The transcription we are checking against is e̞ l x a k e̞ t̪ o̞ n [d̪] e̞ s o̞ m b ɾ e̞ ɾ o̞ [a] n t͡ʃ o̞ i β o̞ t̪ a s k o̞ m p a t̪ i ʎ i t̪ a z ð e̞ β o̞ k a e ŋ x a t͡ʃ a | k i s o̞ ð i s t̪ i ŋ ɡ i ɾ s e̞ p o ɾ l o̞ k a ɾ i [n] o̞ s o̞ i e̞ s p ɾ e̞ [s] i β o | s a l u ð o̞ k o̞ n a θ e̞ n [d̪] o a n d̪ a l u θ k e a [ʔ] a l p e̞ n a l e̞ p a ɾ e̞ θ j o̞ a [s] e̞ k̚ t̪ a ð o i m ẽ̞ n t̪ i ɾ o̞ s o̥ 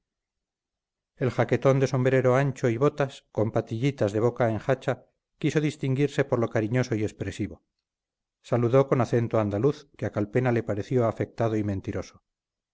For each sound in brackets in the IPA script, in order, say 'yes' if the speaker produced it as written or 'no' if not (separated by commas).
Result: yes, yes, no, yes, no, no, no